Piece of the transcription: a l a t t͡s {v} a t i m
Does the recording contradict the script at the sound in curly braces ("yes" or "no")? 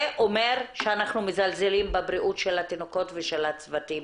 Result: no